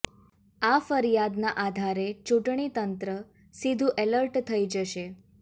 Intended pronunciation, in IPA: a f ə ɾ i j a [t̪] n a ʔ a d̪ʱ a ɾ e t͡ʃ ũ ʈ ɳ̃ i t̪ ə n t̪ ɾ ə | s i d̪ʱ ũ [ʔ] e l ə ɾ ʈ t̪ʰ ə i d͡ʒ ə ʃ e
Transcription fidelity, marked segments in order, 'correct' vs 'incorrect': incorrect, correct

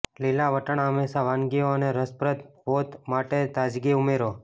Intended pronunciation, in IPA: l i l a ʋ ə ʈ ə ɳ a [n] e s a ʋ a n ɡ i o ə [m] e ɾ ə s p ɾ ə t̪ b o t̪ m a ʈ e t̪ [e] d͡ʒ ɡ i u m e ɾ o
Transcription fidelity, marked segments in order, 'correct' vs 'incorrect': incorrect, incorrect, incorrect

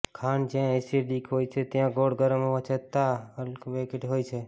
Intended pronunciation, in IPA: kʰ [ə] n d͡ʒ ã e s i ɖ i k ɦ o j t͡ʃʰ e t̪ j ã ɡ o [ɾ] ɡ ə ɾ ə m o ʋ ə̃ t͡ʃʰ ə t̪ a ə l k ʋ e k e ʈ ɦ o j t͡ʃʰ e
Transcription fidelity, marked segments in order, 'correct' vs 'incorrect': incorrect, incorrect

